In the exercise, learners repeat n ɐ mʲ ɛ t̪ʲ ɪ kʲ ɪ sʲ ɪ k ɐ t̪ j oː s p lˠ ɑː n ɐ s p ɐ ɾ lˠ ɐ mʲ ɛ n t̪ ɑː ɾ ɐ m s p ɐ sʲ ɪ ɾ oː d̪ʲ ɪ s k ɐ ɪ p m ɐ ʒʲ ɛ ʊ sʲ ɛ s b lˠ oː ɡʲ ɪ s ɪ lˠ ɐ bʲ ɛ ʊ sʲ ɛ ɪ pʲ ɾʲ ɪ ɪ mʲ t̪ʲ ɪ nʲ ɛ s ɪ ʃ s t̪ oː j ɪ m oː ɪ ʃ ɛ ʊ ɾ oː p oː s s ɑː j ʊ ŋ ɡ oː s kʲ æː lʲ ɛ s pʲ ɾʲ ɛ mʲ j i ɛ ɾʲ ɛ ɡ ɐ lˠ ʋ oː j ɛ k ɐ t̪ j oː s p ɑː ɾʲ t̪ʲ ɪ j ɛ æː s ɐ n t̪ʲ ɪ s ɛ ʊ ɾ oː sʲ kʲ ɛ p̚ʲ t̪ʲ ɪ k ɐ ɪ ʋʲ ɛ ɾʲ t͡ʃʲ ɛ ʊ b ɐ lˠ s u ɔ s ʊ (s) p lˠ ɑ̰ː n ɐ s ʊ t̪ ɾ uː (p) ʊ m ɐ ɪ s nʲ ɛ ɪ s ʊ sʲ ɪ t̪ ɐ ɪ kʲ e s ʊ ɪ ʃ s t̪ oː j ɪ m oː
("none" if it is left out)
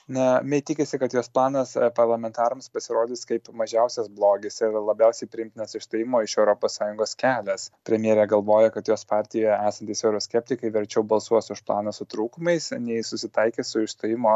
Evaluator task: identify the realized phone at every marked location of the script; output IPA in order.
ʃ, k

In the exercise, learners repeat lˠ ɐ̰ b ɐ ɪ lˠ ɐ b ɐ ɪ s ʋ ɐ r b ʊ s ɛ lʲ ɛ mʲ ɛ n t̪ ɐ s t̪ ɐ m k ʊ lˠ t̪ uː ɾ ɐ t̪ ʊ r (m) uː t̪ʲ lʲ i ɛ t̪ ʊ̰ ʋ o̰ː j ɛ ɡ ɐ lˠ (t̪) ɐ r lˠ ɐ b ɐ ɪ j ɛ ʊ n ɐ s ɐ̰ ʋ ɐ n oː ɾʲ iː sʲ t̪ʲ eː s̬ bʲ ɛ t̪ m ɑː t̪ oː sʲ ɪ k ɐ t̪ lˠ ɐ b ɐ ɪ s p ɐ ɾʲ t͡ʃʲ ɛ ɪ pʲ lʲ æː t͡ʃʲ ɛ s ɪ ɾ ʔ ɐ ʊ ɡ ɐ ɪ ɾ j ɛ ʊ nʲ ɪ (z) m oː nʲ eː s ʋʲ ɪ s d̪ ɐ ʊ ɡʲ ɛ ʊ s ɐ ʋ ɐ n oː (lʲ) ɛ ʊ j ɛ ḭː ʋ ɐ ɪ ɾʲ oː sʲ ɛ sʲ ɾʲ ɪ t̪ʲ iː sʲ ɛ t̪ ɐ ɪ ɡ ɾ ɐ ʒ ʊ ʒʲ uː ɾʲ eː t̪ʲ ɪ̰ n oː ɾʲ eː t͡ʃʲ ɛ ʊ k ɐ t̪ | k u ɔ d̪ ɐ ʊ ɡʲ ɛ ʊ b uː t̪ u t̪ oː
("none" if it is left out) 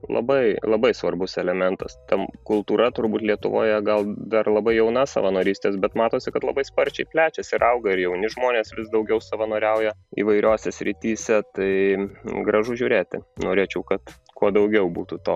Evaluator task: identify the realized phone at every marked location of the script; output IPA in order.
b, d̪, ʒ, ɾʲ

